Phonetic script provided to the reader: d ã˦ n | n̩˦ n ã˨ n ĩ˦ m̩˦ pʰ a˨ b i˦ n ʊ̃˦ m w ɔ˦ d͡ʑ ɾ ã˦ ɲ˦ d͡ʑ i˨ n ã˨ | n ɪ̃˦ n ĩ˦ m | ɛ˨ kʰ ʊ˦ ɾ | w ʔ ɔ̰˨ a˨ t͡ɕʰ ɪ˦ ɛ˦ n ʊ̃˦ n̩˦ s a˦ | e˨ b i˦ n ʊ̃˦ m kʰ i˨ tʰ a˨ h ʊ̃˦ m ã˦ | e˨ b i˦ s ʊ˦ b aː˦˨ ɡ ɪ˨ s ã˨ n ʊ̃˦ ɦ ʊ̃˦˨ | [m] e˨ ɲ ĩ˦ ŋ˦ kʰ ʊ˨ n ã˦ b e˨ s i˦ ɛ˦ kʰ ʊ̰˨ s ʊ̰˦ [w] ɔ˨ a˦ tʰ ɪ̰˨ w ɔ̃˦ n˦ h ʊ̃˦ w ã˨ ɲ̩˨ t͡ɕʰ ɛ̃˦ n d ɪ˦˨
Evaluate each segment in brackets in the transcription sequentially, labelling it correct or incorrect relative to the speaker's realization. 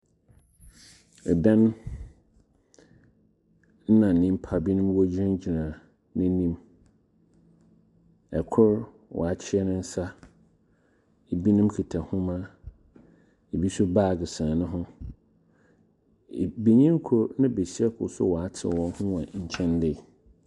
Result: incorrect: b, correct

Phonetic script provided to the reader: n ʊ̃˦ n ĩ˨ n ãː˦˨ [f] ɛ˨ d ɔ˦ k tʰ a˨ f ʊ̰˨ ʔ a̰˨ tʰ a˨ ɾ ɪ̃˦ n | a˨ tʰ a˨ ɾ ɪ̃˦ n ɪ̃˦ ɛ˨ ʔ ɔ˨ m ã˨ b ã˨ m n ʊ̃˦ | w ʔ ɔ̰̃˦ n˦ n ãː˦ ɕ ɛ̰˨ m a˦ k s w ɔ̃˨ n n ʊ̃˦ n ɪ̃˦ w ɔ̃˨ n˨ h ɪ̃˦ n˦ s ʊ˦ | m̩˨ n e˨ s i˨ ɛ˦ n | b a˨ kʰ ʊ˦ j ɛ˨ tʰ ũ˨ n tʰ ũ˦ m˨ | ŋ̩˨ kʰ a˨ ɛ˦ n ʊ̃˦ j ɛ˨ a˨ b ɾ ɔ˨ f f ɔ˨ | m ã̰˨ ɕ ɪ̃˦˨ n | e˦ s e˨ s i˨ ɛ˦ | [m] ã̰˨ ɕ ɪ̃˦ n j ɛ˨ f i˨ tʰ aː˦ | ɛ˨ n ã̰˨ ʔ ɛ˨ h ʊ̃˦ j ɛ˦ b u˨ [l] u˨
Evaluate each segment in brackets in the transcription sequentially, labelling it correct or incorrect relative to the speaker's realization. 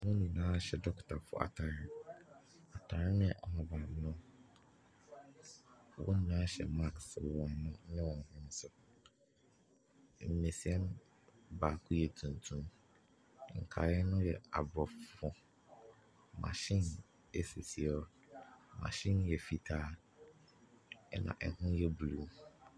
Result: incorrect: ɕ, correct, correct

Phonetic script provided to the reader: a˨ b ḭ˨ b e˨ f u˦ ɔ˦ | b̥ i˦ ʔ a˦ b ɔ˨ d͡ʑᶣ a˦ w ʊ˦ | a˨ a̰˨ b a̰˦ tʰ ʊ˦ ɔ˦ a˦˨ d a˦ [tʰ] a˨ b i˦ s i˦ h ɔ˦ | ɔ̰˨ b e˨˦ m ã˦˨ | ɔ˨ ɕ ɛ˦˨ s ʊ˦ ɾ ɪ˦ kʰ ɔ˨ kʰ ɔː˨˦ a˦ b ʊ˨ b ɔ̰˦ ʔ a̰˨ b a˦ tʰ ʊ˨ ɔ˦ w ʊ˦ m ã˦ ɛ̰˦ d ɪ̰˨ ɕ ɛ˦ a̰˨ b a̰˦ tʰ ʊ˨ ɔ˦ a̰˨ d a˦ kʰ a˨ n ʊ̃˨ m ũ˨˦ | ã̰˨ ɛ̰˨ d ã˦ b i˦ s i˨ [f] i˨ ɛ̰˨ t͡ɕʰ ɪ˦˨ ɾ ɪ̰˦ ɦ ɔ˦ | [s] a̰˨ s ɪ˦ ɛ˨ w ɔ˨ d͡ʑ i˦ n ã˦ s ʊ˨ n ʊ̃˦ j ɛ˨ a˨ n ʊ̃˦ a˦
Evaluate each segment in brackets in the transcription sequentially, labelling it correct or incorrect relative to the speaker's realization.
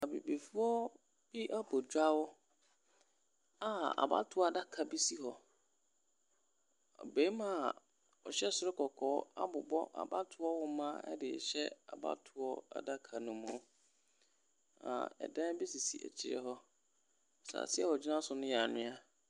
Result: incorrect: kʰ, incorrect: s, correct

